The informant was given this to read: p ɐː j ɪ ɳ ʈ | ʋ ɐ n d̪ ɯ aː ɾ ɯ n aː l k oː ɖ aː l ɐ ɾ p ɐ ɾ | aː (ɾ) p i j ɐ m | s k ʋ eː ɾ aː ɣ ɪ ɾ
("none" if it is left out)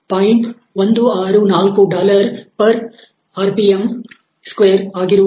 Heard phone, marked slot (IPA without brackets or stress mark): ɾ